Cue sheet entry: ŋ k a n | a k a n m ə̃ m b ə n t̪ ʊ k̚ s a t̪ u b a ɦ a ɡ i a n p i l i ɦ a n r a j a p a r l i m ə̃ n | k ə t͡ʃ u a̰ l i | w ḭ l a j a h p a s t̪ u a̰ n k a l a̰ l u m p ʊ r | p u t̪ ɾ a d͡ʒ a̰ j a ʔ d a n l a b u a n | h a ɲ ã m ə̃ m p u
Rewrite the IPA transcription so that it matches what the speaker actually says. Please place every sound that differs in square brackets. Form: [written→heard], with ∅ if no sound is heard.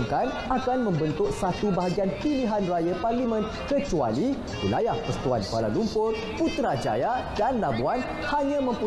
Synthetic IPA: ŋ k a n | a k a n m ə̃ m b ə n t̪ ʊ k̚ s a t̪ u b a ɦ a ɡ i a n p i l i ɦ a n r a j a p a r l i m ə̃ n | k ə t͡ʃ u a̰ l i | w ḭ l a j a h p [a→ə] s t̪ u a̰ n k a l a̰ l u m p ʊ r | p u t̪ ɾ a d͡ʒ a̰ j a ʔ d a n l a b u a n | h a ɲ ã m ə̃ m p u